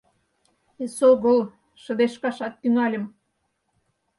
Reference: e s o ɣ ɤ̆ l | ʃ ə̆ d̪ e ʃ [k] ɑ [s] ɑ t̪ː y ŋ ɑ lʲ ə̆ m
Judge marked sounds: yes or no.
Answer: yes, no

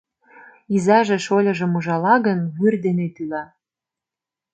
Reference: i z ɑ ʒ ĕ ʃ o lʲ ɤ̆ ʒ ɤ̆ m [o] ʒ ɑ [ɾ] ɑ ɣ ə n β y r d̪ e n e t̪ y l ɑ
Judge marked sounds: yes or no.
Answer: no, no

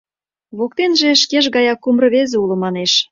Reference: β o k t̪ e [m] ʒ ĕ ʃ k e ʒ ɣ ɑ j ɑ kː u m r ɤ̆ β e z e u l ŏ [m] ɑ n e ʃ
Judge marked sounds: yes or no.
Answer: no, yes

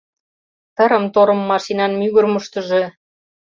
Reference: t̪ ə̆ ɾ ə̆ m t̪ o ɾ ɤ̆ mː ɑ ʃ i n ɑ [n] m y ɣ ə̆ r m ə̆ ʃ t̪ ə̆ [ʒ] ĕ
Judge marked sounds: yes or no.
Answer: yes, yes

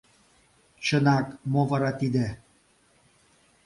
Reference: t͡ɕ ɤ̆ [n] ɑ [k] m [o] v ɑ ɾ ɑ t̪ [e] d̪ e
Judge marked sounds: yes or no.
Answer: yes, yes, yes, no

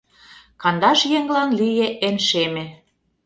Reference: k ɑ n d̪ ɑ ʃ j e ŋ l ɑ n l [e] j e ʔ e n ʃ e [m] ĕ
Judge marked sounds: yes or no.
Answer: no, yes

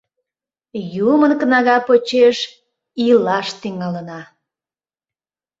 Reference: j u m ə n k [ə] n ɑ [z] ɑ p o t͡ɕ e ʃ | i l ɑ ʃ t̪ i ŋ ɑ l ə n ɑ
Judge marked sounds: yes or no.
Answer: yes, no

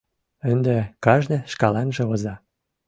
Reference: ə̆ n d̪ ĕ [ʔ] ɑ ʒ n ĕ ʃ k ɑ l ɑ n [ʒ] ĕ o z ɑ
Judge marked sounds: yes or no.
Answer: no, yes

